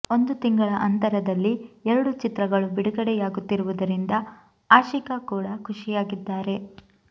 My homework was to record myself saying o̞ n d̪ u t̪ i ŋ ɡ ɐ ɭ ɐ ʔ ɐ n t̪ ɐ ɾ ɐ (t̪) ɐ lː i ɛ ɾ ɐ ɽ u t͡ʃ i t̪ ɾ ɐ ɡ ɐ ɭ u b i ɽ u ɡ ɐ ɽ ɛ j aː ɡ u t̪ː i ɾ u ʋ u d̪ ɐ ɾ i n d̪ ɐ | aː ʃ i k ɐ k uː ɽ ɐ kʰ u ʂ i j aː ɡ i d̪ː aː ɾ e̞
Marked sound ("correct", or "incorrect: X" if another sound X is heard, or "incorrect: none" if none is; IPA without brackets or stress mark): incorrect: d̪